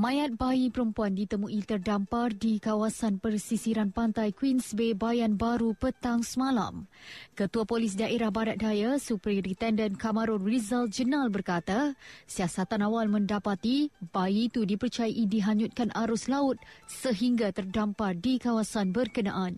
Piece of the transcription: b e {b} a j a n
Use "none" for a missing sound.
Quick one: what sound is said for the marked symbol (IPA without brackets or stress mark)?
b